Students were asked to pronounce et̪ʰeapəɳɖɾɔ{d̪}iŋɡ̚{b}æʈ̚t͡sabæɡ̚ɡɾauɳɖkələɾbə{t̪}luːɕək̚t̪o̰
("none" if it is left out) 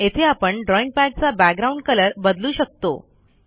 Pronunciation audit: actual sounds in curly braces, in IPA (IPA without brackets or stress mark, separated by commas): none, p, d̪